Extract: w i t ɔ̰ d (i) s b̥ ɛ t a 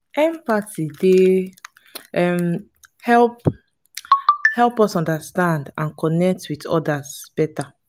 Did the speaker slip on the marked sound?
yes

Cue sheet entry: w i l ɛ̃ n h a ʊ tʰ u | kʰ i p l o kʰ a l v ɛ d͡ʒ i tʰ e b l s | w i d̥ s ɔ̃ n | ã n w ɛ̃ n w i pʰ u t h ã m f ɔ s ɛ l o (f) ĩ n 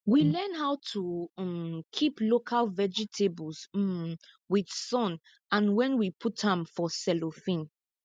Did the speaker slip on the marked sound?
no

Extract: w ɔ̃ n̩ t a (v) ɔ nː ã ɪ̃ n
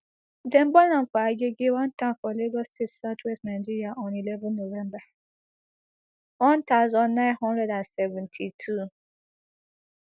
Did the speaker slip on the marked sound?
yes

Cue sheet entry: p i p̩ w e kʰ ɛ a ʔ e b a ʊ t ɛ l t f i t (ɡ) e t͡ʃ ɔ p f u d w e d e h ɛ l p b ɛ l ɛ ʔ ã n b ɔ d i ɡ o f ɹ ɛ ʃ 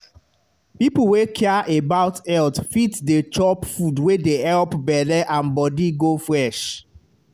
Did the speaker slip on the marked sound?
yes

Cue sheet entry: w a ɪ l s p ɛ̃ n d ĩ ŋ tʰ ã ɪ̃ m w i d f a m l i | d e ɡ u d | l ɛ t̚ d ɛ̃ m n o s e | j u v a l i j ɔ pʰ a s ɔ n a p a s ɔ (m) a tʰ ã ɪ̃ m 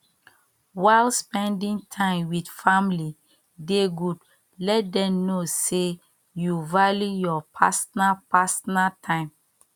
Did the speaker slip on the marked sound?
yes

